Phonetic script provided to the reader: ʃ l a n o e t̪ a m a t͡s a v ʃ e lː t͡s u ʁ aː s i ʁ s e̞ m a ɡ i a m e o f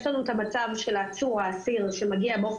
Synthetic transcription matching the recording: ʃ l a n u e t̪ a m a t͡s a v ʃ e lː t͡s u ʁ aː s i ʁ ʃ e̞ m a ɡ i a b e o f